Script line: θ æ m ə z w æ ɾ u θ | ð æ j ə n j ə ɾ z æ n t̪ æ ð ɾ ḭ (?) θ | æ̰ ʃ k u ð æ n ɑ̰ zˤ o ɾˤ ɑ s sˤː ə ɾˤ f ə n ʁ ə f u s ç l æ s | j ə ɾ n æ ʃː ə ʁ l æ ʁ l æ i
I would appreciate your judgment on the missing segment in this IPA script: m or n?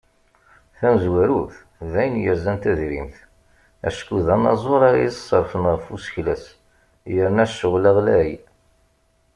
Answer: m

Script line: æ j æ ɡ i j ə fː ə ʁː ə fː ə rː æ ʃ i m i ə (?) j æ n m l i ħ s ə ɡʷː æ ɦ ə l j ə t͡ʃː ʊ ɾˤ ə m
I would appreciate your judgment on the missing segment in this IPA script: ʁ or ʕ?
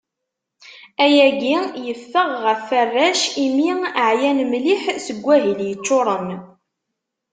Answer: ʕ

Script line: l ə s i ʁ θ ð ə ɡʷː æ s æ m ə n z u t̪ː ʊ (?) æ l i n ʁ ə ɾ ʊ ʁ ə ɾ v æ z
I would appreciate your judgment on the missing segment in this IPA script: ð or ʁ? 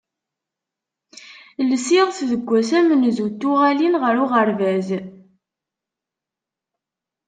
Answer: ʁ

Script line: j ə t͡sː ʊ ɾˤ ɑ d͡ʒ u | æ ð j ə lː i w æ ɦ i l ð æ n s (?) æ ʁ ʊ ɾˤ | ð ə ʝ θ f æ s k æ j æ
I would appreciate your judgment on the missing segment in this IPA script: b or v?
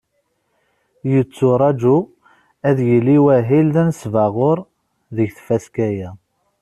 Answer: v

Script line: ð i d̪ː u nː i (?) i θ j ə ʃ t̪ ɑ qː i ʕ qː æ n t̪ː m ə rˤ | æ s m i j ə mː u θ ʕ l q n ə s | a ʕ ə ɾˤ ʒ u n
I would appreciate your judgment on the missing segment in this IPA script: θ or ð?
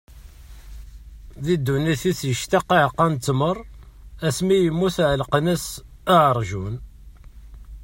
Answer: θ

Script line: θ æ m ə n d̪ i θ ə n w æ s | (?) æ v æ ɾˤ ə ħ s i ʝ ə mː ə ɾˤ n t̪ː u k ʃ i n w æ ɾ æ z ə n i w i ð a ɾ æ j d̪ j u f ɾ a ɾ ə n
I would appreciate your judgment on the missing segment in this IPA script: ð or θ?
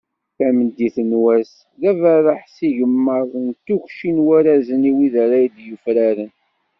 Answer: ð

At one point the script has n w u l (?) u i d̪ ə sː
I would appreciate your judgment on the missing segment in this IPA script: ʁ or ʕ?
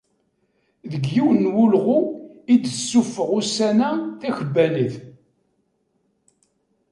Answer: ʁ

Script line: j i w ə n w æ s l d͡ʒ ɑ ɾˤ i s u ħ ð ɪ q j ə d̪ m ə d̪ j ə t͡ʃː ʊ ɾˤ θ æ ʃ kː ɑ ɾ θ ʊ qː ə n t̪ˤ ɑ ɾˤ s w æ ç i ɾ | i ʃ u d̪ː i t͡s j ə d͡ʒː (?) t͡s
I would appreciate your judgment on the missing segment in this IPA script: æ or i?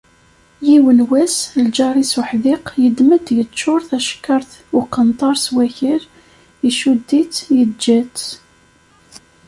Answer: æ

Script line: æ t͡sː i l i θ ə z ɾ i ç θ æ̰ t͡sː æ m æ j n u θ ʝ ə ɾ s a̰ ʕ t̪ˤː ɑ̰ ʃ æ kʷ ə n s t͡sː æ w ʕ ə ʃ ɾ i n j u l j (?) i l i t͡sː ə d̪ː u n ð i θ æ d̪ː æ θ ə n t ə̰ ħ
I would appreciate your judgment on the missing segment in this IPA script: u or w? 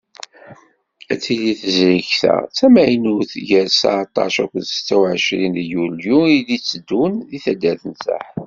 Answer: u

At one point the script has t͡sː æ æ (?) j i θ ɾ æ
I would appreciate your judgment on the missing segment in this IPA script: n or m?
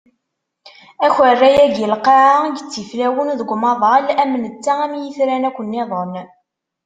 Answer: m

